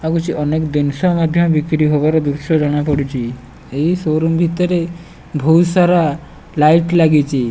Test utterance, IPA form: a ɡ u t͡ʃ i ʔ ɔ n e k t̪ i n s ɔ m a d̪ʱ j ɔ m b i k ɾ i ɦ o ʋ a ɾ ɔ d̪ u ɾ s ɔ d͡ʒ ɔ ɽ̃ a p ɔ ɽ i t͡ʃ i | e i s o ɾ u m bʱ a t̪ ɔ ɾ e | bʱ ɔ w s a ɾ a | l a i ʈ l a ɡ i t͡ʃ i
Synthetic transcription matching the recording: a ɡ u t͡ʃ i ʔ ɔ n e k d̪ i n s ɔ m a d̪ʱ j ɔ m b i k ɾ i ɦ o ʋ a ɾ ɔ d̪ u ɾ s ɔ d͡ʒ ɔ ɽ̃ a p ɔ ɽ i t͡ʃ i | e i s o ɾ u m bʱ i t̪ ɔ ɾ e | bʱ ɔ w s a ɾ a | l a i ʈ l a ɡ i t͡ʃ i